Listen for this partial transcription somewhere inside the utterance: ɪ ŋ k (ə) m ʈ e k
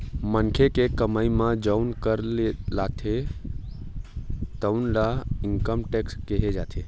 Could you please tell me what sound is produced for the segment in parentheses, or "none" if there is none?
ə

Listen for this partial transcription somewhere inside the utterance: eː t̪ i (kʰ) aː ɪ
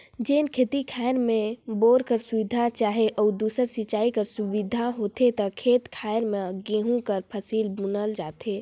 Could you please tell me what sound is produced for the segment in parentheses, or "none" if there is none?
kʰ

